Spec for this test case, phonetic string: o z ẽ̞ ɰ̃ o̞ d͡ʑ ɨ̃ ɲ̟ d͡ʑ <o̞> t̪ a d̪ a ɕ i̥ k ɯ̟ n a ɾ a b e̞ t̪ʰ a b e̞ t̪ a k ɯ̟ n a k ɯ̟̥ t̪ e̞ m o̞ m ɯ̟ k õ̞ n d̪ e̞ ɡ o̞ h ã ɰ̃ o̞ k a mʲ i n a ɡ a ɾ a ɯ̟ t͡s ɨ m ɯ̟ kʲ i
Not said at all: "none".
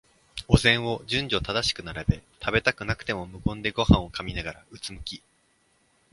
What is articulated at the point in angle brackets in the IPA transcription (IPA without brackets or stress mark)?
o̞